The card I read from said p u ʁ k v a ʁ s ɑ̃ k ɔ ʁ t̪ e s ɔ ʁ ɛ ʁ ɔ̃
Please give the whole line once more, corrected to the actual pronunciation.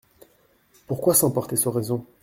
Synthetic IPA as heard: p u ʁ k w a s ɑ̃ p ɔ ʁ t̪ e s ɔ ʁ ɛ z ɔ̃